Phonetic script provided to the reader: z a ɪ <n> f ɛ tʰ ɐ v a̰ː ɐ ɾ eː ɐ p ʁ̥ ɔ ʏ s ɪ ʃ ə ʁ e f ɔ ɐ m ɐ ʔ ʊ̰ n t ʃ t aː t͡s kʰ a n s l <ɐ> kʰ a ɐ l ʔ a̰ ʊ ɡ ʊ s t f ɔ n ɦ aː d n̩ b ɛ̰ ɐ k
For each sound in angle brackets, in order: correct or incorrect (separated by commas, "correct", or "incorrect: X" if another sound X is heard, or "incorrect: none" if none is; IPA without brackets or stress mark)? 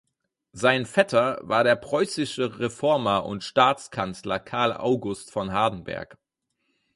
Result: correct, correct